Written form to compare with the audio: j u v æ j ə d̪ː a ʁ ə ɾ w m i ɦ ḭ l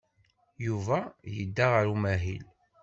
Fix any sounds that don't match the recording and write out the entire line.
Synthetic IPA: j u v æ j ə d̪ː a ʁ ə ɾ u m æ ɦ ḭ l